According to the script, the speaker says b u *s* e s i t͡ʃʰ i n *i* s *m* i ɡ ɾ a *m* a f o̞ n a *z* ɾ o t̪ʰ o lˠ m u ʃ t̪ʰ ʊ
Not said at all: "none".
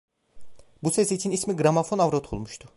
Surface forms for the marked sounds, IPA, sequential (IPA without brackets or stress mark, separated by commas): s, i, m, m, v